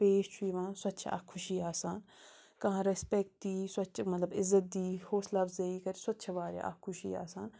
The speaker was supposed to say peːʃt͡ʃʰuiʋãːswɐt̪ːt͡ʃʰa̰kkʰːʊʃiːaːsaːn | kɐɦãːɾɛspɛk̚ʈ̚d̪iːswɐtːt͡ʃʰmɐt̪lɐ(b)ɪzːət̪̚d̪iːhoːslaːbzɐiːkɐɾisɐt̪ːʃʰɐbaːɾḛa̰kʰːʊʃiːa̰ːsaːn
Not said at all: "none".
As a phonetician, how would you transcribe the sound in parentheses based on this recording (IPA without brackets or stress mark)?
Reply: b